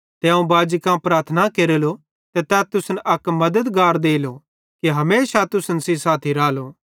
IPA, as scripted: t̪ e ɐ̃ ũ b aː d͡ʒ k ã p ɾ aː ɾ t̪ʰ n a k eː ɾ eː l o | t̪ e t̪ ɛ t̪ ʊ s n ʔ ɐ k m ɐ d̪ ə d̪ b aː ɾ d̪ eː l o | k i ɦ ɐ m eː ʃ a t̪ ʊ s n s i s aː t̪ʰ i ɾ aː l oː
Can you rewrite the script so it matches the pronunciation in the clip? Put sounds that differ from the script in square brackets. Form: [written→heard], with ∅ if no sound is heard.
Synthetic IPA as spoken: t̪ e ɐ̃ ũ b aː d͡ʒ k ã p ɾ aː ɾ t̪ʰ n a k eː ɾ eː l o | t̪ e t̪ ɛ t̪ ʊ s n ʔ ɐ k m ɐ d̪ ə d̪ [b→ɡ] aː ɾ d̪ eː l o | k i ɦ ɐ m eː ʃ a t̪ ʊ s n s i s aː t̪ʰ i ɾ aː l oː